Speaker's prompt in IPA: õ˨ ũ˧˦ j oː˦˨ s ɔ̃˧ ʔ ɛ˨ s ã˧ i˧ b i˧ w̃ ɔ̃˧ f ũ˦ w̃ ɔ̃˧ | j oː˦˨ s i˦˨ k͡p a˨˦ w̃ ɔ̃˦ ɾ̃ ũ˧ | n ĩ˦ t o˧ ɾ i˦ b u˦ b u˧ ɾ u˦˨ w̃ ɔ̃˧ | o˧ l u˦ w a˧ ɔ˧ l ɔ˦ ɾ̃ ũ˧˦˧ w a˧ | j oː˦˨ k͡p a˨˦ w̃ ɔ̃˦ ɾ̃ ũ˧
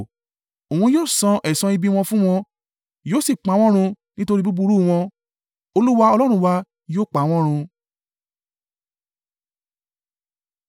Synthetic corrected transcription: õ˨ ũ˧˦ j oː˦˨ s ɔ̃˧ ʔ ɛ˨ s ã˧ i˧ b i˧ w̃ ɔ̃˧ f ũ˦ w̃ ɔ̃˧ | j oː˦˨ s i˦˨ k͡p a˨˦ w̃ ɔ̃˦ ɾ̃ ũ˧ | n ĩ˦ t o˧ ɾ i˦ b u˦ b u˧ ɾ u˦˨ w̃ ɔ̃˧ | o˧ l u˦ w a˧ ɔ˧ l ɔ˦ ɾ̃ ũ˧˦˧ w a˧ | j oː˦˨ k͡p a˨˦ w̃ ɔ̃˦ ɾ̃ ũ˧